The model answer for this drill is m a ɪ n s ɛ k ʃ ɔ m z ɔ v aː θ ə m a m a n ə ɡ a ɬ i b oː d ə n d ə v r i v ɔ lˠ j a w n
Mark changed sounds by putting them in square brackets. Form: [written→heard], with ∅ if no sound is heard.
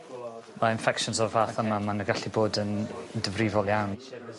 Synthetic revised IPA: m a ɪ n [s→f] ɛ k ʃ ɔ [m→n] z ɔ v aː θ ə m a m a n ə ɡ a ɬ i b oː d ə n d ə v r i v ɔ lˠ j a w n

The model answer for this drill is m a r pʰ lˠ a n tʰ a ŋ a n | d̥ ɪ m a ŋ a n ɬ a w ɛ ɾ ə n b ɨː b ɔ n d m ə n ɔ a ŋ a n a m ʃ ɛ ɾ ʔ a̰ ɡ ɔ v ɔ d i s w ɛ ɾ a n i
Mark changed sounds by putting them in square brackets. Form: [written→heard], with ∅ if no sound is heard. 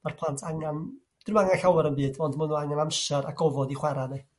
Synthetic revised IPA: m a r pʰ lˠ a n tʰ a ŋ a n | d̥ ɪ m a ŋ a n ɬ a w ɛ ɾ ə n b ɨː [b→d] ɔ n d m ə n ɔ a ŋ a n a m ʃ ɛ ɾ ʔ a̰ ɡ ɔ v ɔ d i [s→χ] w ɛ ɾ a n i

